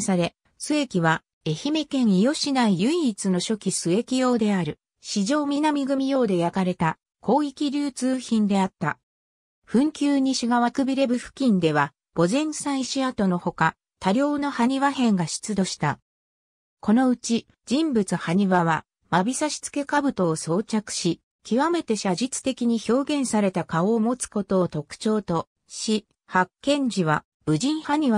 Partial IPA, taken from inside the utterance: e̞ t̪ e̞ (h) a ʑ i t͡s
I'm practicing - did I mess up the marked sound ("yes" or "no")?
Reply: yes